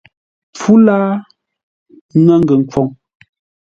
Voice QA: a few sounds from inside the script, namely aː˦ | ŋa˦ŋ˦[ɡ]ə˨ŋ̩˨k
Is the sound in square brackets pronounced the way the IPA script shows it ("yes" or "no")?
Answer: yes